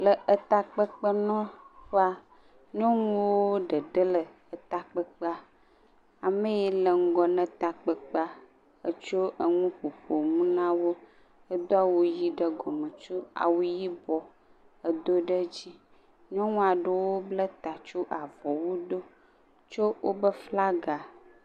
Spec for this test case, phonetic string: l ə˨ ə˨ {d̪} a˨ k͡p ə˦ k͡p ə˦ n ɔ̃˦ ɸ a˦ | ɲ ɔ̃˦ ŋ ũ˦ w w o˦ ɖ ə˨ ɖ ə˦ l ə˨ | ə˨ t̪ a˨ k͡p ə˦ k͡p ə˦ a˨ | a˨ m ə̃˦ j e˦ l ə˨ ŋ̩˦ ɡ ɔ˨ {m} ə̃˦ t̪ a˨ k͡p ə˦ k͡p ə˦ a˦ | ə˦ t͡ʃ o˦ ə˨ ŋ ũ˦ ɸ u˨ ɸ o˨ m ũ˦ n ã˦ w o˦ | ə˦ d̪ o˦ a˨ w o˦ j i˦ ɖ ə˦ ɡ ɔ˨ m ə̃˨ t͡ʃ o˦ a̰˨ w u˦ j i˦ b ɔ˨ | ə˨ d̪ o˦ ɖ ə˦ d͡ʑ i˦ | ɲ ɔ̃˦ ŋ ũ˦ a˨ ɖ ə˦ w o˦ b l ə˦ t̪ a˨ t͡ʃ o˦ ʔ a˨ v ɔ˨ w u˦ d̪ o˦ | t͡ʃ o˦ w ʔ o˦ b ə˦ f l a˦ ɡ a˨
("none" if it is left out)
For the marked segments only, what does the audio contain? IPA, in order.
t̪, n

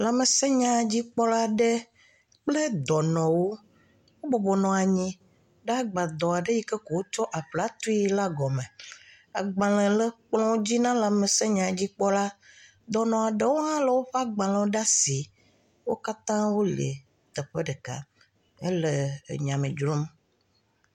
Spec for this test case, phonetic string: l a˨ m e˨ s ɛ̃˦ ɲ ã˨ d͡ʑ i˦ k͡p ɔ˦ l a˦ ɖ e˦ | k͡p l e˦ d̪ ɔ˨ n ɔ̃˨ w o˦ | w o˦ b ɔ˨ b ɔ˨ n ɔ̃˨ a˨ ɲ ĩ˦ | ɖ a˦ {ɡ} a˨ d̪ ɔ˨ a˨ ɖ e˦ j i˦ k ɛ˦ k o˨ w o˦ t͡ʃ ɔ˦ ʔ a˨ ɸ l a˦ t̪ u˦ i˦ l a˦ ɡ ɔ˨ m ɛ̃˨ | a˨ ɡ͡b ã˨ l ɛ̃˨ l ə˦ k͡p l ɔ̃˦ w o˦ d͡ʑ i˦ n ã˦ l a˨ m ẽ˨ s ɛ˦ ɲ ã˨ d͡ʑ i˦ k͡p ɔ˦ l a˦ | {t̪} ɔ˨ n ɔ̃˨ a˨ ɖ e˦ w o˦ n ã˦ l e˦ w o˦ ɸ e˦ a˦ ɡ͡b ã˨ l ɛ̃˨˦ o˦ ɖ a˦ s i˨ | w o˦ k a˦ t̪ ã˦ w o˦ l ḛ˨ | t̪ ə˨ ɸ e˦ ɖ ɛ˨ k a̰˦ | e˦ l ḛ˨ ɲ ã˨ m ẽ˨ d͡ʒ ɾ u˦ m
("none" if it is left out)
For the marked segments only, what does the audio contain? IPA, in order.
ɡ͡b, d̪

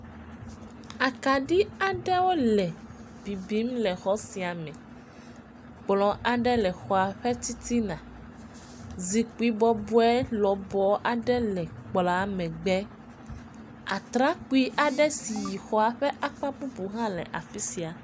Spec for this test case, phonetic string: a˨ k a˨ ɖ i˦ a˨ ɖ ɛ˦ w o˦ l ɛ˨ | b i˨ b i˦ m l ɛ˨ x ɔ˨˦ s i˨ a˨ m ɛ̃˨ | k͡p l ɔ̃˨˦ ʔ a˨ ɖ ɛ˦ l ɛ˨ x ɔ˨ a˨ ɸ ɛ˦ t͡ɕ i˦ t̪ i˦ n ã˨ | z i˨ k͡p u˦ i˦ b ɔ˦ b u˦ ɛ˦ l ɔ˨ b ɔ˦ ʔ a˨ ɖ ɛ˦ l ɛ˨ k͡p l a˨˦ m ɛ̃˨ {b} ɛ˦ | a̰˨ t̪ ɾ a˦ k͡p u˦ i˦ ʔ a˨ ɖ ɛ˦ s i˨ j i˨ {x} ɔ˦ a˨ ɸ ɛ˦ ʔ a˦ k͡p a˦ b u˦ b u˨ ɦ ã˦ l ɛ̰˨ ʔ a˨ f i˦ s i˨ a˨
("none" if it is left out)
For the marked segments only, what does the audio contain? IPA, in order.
ɡ͡b, x

